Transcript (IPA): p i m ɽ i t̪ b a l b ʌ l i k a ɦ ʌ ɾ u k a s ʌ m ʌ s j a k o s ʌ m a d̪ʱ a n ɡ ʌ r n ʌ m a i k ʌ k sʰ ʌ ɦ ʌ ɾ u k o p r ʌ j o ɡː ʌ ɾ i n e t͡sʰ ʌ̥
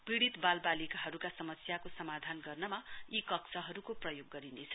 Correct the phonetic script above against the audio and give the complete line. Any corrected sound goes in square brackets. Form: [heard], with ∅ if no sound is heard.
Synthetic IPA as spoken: p i [∅] ɽ i t̪ b a l b [a] l i k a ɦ ʌ ɾ u k a s ʌ m ʌ s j a k o s ʌ m a d̪ʱ a n ɡ ʌ r n ʌ m a i k ʌ k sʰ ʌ ɦ ʌ ɾ u k o p r ʌ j o ɡː ʌ ɾ i n e t͡sʰ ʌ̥

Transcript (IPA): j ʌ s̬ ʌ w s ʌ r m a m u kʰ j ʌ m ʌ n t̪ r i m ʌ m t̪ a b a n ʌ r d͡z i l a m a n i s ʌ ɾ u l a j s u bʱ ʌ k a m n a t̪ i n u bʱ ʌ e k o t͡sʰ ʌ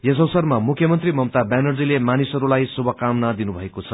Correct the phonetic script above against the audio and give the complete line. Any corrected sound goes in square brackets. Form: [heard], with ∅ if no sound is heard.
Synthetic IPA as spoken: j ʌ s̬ ʌ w s ʌ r m a m u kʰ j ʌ m ʌ n t̪ r i m ʌ m t̪ a b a n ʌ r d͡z i l [e] m a n i s ʌ ɾ u l a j s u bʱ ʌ k a m n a [d̪] i n u bʱ ʌ e k o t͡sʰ ʌ

